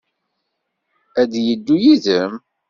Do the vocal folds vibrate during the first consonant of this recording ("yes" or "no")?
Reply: yes